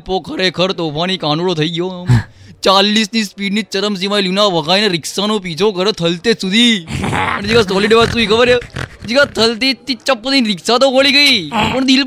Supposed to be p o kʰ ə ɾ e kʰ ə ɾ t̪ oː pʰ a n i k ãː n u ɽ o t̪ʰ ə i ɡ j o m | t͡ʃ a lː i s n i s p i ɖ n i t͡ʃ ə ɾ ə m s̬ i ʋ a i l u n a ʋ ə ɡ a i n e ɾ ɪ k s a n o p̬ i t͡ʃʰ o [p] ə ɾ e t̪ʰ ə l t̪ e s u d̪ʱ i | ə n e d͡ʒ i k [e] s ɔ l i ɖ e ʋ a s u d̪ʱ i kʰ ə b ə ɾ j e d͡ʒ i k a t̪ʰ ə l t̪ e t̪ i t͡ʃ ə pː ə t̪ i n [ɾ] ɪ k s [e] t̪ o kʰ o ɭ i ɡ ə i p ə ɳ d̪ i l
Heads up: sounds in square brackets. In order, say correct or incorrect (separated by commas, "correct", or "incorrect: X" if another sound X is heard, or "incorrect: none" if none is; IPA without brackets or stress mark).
incorrect: k, incorrect: a, correct, incorrect: a